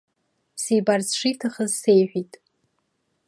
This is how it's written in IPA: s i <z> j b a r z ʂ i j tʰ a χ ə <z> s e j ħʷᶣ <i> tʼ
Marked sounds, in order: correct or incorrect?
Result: incorrect: none, correct, correct

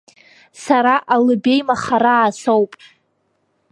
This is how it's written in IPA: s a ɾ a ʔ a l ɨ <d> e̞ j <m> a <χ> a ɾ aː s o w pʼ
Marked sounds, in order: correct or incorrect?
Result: incorrect: b, correct, correct

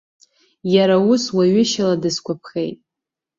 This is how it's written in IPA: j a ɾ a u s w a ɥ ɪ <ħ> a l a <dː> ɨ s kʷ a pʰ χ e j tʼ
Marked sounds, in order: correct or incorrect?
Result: incorrect: ʃ, incorrect: d

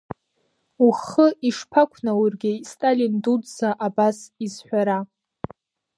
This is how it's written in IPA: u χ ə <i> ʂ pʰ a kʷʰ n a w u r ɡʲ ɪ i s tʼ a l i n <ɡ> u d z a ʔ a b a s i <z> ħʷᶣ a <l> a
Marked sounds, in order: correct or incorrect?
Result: correct, incorrect: d, correct, incorrect: ɾ

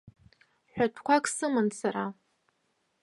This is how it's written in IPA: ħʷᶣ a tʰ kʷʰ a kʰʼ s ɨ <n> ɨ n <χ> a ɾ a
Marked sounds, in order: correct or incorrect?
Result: incorrect: m, incorrect: s

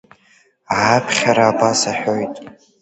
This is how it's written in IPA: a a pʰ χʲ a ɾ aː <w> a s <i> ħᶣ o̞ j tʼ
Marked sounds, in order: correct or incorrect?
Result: incorrect: b, incorrect: a

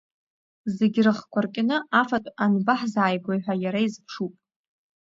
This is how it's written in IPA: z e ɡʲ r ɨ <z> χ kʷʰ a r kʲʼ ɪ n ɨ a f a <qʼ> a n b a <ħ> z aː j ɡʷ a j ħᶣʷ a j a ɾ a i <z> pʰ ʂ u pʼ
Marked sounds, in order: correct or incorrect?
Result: incorrect: none, incorrect: tʼ, correct, correct

